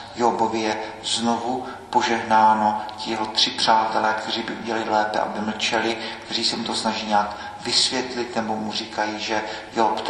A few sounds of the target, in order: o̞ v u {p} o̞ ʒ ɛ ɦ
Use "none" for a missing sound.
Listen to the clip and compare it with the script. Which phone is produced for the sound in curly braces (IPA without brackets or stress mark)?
p